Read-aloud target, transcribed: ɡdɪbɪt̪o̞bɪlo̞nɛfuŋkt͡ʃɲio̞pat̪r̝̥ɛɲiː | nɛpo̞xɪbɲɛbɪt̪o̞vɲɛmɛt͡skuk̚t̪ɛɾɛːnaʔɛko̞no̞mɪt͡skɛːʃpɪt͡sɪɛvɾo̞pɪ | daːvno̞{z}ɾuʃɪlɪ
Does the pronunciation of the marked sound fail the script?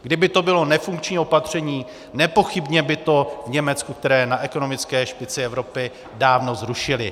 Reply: no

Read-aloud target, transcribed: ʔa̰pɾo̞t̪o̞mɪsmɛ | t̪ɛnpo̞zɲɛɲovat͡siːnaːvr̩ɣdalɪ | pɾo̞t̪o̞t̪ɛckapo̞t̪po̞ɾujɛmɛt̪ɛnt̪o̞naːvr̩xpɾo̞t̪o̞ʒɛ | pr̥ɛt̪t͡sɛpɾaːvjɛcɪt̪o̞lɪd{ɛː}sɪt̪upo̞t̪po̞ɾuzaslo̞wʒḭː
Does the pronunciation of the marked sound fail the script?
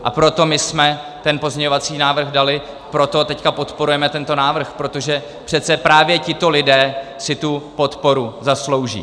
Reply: no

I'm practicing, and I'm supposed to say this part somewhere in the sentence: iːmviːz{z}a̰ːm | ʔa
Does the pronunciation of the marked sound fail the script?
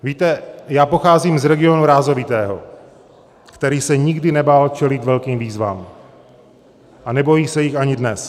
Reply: yes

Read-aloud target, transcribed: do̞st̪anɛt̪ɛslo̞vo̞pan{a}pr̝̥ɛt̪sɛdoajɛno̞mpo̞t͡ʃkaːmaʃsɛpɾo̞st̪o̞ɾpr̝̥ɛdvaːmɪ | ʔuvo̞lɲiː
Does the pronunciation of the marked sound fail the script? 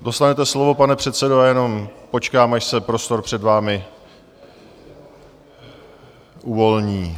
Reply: yes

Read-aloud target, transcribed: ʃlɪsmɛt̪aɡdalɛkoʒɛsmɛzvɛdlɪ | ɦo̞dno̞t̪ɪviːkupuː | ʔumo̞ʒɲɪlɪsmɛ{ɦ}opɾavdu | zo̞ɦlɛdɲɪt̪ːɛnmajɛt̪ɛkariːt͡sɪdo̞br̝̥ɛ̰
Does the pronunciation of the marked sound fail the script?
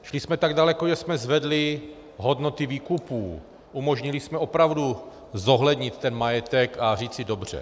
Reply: yes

